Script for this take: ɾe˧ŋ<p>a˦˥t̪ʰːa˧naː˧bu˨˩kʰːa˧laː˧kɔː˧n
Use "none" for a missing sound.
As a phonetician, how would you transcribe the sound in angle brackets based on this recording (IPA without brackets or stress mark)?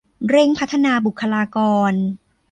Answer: pʰ